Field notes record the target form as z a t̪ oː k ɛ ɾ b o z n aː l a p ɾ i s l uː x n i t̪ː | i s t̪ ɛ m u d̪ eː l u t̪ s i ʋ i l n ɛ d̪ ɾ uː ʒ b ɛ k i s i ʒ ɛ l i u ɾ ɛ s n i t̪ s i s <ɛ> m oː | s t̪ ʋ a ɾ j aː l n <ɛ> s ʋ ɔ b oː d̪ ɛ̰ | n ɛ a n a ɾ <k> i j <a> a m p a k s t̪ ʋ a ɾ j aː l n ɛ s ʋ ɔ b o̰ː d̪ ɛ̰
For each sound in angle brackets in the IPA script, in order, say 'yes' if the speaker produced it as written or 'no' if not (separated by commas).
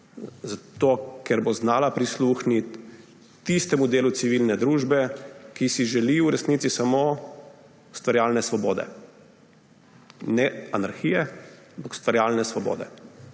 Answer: no, yes, no, no